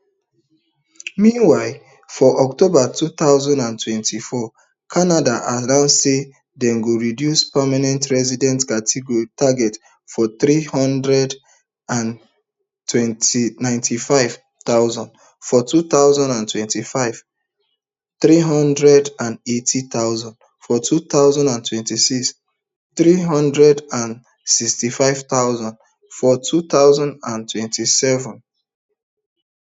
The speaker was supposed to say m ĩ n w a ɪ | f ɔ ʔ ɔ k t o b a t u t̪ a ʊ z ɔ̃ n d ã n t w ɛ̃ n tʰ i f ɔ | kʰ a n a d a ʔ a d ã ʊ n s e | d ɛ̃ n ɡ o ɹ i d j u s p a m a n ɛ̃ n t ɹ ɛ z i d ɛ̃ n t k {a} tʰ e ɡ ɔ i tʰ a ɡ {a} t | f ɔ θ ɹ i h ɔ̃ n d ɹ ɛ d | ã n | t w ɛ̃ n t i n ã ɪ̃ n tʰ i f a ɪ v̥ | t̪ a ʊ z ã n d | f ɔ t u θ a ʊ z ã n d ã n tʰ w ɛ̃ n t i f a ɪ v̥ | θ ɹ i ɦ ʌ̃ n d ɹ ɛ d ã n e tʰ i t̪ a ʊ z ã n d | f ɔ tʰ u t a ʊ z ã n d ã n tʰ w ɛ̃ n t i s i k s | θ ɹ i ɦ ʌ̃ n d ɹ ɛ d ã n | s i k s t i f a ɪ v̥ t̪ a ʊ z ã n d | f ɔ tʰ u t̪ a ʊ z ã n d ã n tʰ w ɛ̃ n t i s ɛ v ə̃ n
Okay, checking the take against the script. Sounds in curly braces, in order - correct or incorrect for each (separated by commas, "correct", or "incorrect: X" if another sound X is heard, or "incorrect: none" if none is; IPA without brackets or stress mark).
correct, incorrect: ɛ